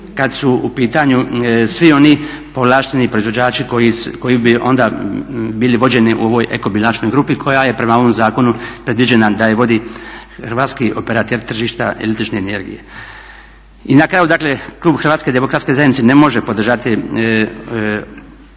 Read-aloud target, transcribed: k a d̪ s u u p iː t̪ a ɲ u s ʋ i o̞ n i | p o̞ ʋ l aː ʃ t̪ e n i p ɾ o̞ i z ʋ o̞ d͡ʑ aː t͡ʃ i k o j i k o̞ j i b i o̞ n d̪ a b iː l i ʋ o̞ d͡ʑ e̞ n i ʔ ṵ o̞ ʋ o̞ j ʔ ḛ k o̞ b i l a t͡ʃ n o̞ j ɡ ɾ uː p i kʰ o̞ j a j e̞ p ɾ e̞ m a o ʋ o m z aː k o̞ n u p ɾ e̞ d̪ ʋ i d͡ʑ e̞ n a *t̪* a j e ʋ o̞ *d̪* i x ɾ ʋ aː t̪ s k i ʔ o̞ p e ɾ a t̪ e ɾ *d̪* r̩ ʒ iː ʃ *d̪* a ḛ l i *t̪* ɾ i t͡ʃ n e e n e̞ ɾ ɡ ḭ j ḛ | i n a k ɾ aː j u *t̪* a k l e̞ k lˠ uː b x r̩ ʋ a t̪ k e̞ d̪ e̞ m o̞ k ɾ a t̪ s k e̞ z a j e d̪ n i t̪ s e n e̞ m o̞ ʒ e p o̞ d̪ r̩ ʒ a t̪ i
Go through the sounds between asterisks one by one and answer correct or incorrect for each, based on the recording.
incorrect, correct, incorrect, incorrect, correct, incorrect

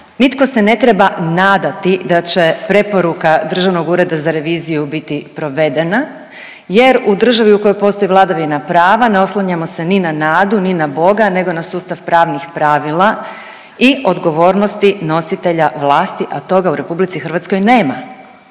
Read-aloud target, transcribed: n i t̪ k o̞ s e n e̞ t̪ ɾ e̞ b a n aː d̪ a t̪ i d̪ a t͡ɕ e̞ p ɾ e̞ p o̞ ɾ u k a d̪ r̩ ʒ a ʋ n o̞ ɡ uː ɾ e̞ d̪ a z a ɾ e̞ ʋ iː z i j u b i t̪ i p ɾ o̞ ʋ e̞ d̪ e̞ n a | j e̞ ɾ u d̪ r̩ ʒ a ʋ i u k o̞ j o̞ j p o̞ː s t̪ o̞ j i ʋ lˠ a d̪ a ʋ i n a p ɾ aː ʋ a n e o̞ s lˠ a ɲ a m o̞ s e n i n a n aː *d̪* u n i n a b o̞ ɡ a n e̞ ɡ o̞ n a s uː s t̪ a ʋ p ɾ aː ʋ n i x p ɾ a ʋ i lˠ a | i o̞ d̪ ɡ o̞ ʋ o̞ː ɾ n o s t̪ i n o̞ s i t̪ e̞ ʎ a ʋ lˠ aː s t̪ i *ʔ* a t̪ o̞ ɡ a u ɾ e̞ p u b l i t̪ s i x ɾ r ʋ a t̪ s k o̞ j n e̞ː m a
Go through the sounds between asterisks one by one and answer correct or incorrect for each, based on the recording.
correct, correct

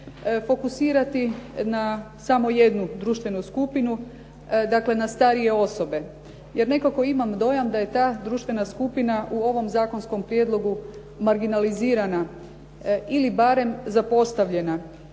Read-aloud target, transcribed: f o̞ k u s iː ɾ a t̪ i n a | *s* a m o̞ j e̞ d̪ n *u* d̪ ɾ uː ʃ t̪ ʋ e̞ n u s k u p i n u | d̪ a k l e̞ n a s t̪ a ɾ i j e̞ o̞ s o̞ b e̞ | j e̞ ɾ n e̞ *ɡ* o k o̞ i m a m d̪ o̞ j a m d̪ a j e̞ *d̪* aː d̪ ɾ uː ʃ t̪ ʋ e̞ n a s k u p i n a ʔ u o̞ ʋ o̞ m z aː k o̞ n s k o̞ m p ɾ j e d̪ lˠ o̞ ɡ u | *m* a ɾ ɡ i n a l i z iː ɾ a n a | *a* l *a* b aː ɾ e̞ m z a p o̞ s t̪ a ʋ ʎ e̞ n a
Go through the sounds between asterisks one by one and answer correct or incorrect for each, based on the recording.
correct, correct, incorrect, incorrect, correct, incorrect, incorrect

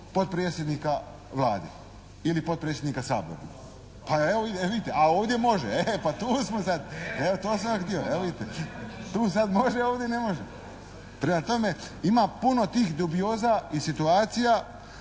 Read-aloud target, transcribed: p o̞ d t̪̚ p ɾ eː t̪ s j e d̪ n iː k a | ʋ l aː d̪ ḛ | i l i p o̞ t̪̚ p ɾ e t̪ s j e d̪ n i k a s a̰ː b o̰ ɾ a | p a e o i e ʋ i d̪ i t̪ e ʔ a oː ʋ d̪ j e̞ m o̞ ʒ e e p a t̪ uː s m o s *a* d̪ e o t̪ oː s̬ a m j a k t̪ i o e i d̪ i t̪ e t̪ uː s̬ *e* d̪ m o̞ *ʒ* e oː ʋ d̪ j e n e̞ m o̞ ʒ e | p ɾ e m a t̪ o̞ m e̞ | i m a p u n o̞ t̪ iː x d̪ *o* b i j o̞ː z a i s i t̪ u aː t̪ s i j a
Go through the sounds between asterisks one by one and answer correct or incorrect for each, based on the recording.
correct, incorrect, correct, incorrect

